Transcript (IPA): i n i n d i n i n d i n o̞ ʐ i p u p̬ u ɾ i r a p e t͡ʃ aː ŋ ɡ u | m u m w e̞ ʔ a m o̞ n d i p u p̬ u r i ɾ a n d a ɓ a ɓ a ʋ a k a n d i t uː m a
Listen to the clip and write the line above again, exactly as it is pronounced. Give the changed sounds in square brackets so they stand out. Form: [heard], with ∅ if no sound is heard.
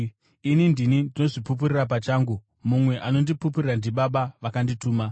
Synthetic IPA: i n i n d i n i n d i n o̞ ʐ i p u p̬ u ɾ i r a p [a] t͡ʃ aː ŋ ɡ u | m u m w e̞ ʔ a [n] o̞ n d i p u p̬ u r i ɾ a n d [i] ɓ a ɓ a ʋ a k a n d i t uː m a